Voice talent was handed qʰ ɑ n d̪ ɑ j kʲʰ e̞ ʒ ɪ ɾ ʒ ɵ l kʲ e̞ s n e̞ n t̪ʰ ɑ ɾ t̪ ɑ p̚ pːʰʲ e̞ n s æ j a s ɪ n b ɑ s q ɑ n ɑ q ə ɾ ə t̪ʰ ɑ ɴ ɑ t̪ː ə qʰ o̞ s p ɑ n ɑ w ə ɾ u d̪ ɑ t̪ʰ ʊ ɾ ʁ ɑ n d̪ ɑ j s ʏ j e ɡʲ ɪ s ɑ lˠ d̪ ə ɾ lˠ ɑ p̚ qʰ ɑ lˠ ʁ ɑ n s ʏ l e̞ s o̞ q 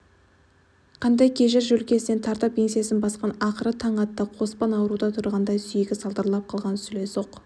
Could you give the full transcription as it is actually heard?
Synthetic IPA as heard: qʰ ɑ n d̪ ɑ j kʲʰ e̞ ʒ ɪ ɾ ʒ ɵ l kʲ e̞ s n e̞ n t̪ʰ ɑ ɾ t̪ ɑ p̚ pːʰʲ e̞ n s i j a s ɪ n b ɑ s q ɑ n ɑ q ə ɾ ə t̪ʰ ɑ ɴ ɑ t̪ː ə qʰ o̞ s p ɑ n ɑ w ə ɾ u d̪ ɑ t̪ʰ ʊ ɾ ʁ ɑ n d̪ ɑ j s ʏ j e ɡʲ ɪ s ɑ lˠ d̪ ə ɾ lˠ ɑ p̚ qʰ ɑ lˠ ʁ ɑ n s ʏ l e̞ s o̞ q